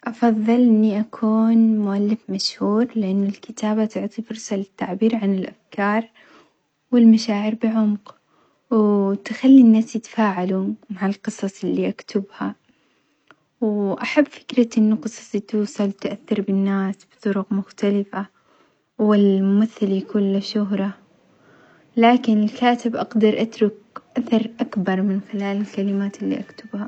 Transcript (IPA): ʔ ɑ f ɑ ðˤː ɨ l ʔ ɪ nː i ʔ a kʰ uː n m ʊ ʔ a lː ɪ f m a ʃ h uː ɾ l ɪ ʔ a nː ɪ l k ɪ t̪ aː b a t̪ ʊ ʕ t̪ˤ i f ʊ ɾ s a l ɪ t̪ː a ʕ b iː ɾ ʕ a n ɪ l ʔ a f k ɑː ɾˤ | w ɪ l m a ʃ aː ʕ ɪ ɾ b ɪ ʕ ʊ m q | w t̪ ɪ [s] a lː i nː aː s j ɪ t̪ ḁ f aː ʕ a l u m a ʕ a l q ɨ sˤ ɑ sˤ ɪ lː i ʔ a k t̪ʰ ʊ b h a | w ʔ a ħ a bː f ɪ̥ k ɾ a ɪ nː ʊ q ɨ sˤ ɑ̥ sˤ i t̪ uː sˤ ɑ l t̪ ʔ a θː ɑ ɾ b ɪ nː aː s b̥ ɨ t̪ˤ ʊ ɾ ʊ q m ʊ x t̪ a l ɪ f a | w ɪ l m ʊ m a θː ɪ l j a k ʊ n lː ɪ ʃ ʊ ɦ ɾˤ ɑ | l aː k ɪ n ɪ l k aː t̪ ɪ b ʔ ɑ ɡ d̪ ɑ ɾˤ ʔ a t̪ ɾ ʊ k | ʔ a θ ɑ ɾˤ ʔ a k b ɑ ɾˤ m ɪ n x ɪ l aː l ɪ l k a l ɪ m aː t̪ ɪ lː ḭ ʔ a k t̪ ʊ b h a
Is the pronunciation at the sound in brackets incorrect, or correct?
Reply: incorrect